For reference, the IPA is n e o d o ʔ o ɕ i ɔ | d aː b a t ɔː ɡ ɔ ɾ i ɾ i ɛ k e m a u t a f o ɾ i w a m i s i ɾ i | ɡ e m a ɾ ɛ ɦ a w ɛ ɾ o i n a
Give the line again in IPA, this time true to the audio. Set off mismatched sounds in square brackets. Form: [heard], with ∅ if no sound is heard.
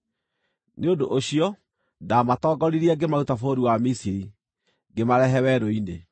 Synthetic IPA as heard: n e o d o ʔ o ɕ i ɔ | d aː [m] a t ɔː ɡ ɔ ɾ i ɾ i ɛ [ɡ] e m a u t a f o ɾ i w a m i s i ɾ i | ɡ e m a ɾ ɛ ɦ [ɛ] w ɛ ɾ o i n [e]